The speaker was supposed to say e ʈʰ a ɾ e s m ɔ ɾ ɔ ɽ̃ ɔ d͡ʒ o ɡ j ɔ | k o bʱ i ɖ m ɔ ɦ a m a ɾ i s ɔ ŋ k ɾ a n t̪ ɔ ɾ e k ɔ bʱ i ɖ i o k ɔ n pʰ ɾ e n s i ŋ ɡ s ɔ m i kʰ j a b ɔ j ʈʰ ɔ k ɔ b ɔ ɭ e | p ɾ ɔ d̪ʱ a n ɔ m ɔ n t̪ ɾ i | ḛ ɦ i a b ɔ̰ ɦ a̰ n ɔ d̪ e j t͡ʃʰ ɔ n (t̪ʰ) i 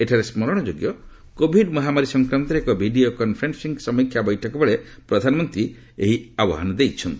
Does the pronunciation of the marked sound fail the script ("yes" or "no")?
yes